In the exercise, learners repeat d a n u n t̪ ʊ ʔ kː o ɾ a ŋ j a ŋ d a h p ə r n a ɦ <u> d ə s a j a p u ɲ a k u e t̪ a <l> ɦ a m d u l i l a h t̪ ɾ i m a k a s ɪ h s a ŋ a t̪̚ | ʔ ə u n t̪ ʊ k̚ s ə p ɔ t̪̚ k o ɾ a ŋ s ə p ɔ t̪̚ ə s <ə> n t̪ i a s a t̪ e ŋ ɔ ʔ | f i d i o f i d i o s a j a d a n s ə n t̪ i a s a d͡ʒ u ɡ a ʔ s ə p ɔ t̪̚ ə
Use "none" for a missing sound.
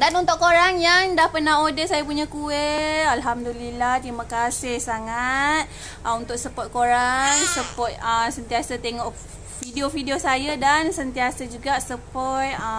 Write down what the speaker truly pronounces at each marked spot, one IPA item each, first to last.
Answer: o, l, ə

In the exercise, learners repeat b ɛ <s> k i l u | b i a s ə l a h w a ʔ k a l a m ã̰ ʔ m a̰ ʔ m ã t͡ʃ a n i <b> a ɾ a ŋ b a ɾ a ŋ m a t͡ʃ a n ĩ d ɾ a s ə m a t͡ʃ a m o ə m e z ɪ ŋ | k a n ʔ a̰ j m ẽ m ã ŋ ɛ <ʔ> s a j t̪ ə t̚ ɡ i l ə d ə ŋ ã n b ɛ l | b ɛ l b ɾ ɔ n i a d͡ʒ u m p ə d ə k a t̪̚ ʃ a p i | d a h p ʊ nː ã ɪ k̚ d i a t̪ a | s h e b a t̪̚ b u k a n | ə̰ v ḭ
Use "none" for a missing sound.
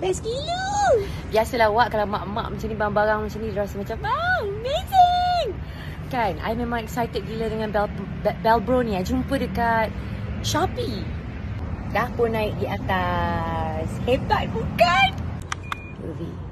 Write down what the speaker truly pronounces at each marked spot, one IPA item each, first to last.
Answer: s, b, k

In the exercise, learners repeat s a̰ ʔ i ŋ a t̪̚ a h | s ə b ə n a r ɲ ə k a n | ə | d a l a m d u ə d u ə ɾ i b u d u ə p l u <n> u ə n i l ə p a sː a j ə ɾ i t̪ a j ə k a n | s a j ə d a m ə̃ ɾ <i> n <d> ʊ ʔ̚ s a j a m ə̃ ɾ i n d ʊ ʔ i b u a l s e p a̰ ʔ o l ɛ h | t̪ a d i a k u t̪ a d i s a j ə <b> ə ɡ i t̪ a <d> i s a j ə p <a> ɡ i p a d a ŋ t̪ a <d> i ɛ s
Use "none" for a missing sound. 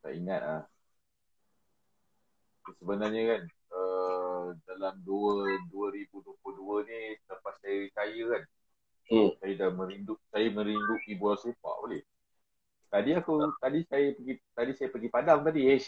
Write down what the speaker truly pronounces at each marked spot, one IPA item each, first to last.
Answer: d, i, d, p, d, ə, d

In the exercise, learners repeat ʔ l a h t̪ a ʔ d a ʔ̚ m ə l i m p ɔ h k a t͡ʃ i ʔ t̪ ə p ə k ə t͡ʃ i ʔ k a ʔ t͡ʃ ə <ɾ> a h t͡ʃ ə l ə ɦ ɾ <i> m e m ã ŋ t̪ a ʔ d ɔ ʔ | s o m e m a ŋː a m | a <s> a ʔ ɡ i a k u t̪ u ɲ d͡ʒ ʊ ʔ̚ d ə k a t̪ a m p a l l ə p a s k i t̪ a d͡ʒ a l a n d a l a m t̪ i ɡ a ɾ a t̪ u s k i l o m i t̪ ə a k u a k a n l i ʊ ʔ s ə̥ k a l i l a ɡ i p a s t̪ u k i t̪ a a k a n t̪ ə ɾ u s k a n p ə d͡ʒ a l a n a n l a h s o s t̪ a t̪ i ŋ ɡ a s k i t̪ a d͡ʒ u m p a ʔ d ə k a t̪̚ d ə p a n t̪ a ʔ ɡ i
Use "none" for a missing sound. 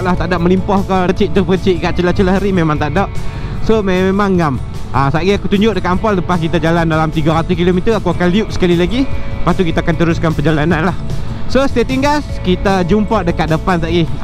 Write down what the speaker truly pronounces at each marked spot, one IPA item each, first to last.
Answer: l, i, s

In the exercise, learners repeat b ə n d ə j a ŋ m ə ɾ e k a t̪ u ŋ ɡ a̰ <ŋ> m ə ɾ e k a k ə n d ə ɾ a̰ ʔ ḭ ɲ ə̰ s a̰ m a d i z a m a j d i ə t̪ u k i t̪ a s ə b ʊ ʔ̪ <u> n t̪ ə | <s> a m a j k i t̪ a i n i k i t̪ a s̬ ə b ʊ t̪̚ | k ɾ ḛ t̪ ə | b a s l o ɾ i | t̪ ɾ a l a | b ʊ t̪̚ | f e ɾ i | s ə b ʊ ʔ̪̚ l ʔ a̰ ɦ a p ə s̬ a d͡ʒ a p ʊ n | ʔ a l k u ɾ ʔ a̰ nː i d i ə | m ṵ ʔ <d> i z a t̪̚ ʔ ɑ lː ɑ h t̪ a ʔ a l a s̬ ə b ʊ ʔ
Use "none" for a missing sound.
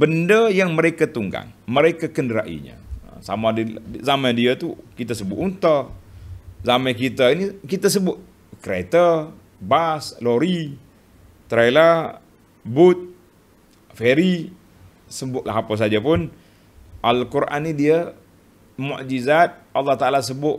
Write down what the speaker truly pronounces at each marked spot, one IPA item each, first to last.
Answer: ŋ, u, z, d͡ʒ

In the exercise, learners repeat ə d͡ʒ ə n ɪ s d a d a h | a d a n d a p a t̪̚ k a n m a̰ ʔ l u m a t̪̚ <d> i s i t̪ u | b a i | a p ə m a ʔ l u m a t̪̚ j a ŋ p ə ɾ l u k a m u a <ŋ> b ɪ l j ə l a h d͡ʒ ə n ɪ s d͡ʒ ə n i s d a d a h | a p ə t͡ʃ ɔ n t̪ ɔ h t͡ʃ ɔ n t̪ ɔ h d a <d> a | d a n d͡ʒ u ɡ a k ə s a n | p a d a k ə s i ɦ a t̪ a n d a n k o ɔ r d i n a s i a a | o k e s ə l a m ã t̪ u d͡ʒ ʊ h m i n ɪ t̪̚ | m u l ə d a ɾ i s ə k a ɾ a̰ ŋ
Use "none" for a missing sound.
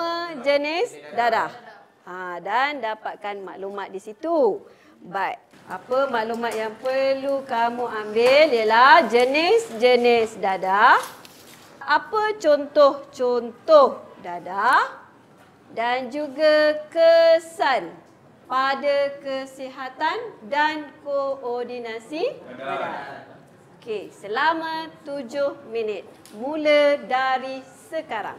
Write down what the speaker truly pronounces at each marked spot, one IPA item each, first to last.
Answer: d, m, d

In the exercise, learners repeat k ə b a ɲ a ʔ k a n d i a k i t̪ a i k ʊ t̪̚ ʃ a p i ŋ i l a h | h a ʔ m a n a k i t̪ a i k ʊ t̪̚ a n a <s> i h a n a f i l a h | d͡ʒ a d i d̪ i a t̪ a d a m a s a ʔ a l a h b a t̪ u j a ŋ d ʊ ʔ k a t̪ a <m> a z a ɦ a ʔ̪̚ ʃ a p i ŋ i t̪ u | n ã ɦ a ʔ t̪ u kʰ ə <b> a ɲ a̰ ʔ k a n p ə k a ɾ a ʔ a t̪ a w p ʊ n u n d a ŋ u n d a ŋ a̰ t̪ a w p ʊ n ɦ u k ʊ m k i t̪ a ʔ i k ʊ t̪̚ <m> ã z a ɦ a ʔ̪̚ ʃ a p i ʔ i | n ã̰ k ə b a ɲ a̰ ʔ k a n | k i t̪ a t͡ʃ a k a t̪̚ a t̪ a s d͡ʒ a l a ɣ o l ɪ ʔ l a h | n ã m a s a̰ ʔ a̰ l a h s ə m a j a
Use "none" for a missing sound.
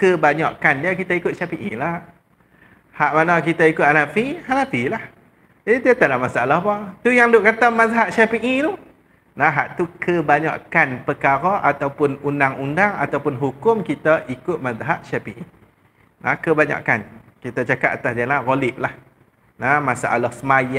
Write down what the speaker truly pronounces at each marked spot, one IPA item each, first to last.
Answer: f, m, b, m

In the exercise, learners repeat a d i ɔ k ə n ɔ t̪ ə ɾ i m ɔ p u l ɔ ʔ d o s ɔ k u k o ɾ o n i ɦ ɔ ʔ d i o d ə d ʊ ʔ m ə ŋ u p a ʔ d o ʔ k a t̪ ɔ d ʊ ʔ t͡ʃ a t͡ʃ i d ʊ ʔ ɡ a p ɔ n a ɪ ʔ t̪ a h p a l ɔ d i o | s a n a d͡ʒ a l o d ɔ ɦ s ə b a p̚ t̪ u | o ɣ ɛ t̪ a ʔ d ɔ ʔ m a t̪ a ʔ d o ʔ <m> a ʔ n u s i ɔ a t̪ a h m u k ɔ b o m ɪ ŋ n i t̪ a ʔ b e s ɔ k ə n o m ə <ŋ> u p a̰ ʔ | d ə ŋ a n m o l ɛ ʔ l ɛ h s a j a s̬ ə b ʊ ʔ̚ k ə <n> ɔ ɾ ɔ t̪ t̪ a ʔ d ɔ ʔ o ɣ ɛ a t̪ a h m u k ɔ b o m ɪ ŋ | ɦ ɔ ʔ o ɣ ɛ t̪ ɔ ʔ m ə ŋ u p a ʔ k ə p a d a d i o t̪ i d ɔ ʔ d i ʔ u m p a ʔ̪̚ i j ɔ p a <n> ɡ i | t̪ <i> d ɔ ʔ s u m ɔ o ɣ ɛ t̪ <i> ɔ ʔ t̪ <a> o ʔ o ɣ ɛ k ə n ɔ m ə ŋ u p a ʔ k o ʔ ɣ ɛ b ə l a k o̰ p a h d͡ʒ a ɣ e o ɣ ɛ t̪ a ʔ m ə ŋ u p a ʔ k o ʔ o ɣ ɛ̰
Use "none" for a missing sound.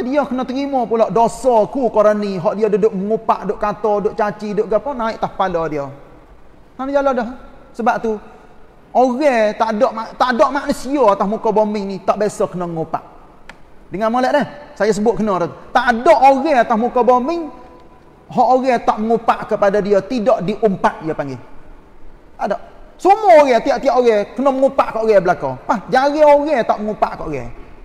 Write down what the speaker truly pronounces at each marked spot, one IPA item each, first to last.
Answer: m, ŋ, n, ŋ, a, i, i

